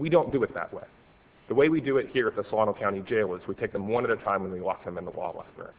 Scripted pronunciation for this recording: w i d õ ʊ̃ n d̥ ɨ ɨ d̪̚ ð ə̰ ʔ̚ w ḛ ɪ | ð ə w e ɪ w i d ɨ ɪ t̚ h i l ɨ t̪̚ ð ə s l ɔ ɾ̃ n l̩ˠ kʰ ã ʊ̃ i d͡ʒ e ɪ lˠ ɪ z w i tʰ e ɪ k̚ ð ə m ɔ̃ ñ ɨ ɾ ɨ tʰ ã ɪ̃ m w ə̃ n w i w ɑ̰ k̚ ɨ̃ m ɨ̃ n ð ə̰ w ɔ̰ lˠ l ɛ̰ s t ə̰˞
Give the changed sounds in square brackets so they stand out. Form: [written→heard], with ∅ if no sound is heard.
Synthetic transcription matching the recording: w i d õ ʊ̃ n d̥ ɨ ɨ [d̪̚→t̪̚] ð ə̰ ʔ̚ w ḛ ɪ | ð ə w e ɪ w i d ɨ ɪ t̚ h i [l→ɹ] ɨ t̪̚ ð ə s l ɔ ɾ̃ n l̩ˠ kʰ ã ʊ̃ i d͡ʒ e ɪ lˠ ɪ z w i tʰ e ɪ k̚ ð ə m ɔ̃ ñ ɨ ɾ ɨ tʰ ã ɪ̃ m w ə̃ n w i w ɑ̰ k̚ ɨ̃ m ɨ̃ n ð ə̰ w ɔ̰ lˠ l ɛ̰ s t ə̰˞